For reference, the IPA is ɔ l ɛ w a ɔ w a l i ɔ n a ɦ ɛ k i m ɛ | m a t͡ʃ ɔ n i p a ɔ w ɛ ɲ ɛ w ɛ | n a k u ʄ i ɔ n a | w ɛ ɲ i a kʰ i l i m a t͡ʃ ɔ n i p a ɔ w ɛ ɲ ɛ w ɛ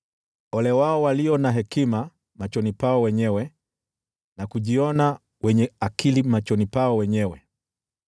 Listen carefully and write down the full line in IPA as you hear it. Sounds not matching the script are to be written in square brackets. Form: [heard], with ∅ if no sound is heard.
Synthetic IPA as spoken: ɔ l ɛ w a ɔ w a l i ɔ n a ɦ ɛ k i m [a] | m a t͡ʃ ɔ n i p a ɔ w ɛ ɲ ɛ w ɛ | n a k u ʄ i ɔ n a | w ɛ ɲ [ɛ] a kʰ i l i m a t͡ʃ ɔ n i p a ɔ w ɛ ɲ ɛ w ɛ